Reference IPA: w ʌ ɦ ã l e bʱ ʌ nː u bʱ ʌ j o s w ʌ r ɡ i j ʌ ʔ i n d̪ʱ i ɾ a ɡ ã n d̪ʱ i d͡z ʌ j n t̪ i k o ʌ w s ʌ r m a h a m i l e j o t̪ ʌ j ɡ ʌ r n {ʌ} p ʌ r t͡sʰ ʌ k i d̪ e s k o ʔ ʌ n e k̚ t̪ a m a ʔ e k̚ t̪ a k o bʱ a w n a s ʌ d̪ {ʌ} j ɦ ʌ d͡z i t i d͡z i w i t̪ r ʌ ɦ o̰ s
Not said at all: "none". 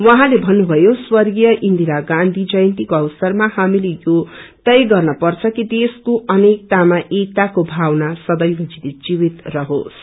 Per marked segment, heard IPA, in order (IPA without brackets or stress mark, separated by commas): ʌ, ʌ